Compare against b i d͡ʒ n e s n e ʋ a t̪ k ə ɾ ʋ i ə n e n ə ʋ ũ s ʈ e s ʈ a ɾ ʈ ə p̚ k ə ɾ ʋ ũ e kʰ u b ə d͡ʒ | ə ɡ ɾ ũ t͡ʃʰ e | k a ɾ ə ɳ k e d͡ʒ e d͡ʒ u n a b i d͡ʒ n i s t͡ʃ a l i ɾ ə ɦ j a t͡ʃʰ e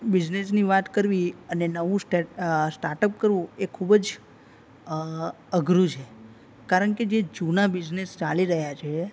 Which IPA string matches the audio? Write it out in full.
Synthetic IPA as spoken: b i d͡ʒ n e s n i ʋ a t̪ k ə ɾ ʋ i ə n e n ə ʋ ũ s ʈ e s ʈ a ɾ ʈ ə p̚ k ə ɾ ʋ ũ e kʰ u b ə d͡ʒ | ə ɡ ɾ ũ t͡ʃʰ e | k a ɾ ə ɳ k e d͡ʒ e d͡ʒ u n a b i d͡ʒ n e s t͡ʃ a l i ɾ ə ɦ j a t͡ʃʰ e